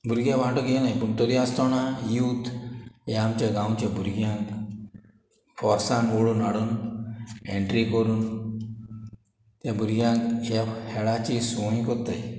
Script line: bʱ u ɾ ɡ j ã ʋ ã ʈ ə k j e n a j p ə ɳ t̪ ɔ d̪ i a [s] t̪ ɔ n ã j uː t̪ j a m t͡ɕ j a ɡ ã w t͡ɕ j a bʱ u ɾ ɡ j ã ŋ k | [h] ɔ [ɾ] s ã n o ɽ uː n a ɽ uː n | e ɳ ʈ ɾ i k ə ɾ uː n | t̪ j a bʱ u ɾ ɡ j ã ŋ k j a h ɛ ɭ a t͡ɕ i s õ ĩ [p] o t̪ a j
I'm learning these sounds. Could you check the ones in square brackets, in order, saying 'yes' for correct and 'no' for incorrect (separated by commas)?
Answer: yes, no, yes, no